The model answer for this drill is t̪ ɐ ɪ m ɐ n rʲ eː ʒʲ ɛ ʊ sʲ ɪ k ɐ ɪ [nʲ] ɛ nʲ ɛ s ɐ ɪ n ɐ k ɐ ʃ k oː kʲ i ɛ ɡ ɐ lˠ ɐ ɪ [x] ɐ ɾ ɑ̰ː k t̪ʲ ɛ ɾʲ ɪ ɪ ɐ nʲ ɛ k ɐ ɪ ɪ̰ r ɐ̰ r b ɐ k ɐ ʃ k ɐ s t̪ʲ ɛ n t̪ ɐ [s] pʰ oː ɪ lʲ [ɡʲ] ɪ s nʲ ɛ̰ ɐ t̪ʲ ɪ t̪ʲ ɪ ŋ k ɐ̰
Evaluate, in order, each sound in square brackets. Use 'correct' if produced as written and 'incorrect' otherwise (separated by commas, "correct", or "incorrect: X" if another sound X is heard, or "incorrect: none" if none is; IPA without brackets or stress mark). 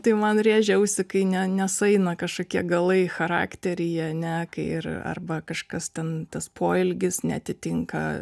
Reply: correct, correct, correct, correct